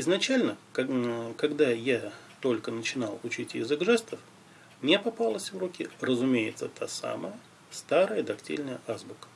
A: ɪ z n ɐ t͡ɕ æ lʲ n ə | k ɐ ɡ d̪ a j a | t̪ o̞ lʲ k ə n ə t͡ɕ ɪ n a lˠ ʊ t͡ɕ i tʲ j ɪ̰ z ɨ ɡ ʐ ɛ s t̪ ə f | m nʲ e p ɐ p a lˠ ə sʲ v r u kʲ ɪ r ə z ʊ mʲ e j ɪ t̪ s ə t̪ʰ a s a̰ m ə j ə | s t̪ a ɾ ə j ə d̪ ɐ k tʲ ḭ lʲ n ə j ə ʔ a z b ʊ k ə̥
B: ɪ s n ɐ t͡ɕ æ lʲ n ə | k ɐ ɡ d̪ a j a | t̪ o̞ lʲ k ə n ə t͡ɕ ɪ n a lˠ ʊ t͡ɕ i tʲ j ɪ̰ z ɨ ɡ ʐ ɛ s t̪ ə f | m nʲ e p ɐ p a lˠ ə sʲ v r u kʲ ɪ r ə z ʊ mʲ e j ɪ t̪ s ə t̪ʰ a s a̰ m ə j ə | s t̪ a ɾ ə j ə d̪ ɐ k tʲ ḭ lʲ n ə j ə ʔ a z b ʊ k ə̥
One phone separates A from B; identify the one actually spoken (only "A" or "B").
A